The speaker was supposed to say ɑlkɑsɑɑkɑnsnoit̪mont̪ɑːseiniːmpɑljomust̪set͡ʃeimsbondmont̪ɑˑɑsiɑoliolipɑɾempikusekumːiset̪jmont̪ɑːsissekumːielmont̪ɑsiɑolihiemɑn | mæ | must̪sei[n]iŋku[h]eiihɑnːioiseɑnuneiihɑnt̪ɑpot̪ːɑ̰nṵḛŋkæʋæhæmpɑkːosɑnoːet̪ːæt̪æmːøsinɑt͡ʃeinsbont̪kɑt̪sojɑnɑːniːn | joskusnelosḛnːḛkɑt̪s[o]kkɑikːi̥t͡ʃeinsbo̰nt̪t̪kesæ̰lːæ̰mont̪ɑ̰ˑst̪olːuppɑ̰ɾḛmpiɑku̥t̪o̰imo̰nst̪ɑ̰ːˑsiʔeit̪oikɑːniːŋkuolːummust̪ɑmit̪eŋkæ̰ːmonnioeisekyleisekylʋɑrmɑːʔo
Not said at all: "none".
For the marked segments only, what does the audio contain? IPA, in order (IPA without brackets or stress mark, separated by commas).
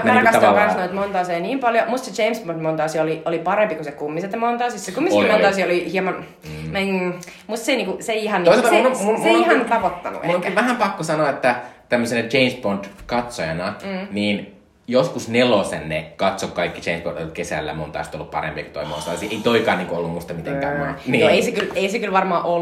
n, s, o